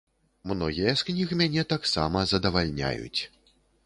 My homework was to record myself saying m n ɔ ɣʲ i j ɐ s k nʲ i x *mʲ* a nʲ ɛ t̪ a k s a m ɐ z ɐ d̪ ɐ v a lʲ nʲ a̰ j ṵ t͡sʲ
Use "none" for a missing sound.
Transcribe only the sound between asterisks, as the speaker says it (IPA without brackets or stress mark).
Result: mʲ